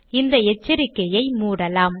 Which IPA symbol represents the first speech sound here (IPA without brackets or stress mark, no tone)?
ɪ